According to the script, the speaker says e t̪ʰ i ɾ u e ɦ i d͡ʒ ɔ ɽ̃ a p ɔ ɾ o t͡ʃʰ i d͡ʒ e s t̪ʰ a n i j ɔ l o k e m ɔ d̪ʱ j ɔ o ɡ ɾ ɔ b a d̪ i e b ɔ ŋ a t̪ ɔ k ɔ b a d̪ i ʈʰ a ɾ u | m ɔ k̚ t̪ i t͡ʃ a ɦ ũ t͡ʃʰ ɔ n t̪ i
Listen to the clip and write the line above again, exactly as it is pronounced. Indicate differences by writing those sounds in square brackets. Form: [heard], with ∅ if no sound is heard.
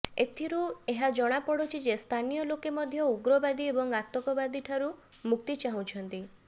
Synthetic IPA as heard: e t̪ʰ i ɾ u e ɦ [a] d͡ʒ ɔ ɽ̃ a p ɔ [ɽ] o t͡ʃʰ i d͡ʒ e s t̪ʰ a n i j ɔ l o k e m ɔ d̪ʱ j ɔ [u] ɡ ɾ ɔ b a d̪ i e b ɔ ŋ a t̪ ɔ k ɔ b a d̪ i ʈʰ a ɾ u | m [u] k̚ t̪ i t͡ʃ a ɦ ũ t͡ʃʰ ɔ n t̪ i